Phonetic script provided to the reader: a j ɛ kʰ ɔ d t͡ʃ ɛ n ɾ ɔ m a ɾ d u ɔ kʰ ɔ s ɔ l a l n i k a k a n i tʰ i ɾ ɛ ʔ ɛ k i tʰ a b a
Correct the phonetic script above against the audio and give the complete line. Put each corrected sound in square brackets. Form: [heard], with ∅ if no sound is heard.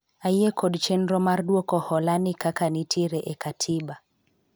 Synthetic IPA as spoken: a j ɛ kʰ ɔ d t͡ʃ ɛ n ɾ ɔ m a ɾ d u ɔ [k] ɔ [h] ɔ l a [∅] n i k a k a n i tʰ i ɾ ɛ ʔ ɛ k [a] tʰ [i] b a